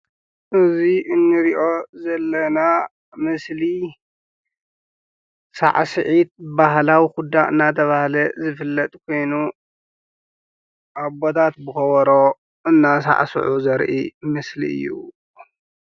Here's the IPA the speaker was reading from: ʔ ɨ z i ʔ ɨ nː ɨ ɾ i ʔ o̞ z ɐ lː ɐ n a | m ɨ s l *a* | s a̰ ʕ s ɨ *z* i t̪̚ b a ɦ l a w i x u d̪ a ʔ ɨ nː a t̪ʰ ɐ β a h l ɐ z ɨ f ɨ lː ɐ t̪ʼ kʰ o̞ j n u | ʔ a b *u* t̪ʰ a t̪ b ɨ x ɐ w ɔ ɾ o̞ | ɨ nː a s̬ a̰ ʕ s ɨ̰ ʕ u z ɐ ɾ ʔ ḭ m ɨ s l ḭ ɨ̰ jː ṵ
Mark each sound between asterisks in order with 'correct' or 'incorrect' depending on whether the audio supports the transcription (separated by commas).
incorrect, incorrect, incorrect